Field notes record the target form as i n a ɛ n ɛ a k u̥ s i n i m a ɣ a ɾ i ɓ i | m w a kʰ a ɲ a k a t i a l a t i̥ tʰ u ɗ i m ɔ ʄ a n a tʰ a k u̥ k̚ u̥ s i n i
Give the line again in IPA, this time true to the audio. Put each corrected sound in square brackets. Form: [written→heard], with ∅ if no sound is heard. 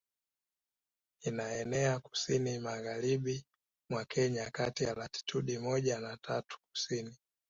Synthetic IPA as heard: i n a ɛ n ɛ a k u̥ s i n i m a ɣ a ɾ i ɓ i | m w a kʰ [a→ɛ] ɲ a k a t i a l a t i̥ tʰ u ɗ i m ɔ ʄ a n a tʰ a [k→t] u̥ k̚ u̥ s i n i

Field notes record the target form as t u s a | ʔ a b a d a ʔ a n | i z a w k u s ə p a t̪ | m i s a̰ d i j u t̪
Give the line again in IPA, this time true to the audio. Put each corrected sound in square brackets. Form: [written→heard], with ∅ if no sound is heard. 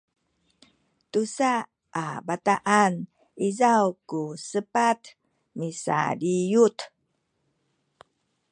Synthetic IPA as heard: t u s a | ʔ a b a [d→t] a ʔ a n | i z a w k u s ə p a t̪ | m i s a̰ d i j u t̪

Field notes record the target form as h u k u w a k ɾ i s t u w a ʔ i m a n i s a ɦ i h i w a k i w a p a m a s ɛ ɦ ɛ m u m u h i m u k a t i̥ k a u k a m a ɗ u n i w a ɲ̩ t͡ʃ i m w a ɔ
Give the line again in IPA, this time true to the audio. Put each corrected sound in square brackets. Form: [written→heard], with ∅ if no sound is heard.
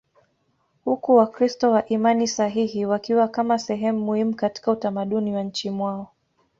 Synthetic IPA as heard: h u k u w a k ɾ i s t [u→ɔ] w a ʔ i m a n i s a ɦ i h i w a k i w a [p→k] a m a s ɛ ɦ ɛ m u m u h i m u k a t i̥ k a u [k→t] a m a ɗ u n i w a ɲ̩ t͡ʃ i m w a ɔ

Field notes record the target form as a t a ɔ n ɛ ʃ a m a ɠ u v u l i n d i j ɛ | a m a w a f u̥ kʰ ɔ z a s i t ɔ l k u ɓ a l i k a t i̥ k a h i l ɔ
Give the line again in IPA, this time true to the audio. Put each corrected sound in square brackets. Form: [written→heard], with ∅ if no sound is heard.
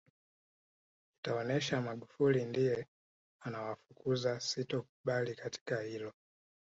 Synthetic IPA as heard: [a→i] t a ɔ n ɛ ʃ a m a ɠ u [v→f] u l i n d i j ɛ | a [m→n] a w a f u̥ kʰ [ɔ→u] z a s i t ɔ [l→∅] k u ɓ a l i k a t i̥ k a h i l ɔ

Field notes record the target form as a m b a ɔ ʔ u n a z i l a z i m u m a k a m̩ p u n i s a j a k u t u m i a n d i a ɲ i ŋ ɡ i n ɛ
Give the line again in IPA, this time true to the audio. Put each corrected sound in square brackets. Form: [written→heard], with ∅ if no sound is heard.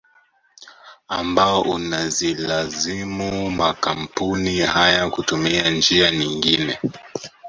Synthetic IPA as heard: a m b a ɔ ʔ u n a z i l a z i m u m a k a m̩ p u n i [s→h] a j a k u t u m i a n [d→d͡ʒ] i a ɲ i ŋ ɡ i n ɛ

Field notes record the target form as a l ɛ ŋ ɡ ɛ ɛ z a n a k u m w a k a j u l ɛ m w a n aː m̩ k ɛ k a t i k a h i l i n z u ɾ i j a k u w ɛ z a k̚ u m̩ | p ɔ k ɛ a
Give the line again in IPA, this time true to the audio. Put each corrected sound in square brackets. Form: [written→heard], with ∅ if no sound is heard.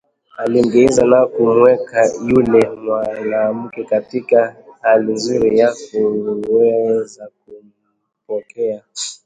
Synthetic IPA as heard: a l [ɛ→i] ŋ ɡ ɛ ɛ z a n a k u m w [a→ɛ] k a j u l ɛ m w a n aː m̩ k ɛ k a t i k a h [i→a] l i n z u ɾ i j a k u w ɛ z a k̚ u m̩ | p ɔ k ɛ a

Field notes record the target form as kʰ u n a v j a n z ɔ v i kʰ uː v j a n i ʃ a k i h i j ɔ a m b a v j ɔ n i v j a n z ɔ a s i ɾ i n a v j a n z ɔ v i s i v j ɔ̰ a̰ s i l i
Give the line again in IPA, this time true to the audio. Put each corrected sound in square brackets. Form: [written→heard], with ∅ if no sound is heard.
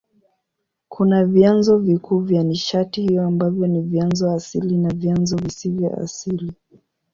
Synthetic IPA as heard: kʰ u n a v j a n z ɔ v i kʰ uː v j a n i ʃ a [k→t] i h i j ɔ a m b a v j ɔ n i v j a n z ɔ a s i [ɾ→l] i n a v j a n z ɔ v i s i v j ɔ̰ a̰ s i l i

